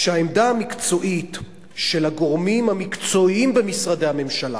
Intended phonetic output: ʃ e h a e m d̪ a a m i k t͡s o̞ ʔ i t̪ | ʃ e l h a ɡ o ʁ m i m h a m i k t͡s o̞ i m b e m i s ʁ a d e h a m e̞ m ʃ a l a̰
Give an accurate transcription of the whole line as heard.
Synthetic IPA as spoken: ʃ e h a e m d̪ a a m i k t͡s o̞ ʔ i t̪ | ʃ e l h a ɡ o ʁ m i m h a m i k t͡s o̞ i m b e m i s ʁ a d e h a m e̞ m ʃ a l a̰